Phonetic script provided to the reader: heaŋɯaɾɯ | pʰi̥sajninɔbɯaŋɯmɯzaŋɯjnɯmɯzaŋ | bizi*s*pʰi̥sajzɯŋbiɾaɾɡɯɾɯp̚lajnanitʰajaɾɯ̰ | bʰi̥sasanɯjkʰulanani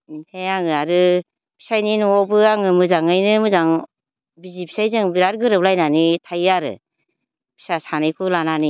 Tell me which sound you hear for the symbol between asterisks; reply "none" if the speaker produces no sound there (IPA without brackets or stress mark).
none